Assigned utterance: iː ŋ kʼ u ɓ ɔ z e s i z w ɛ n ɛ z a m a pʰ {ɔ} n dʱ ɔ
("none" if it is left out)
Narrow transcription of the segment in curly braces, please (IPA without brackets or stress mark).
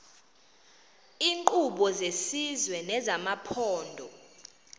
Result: ɔː